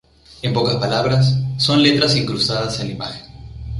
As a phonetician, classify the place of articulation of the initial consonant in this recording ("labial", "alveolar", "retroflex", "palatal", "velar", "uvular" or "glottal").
labial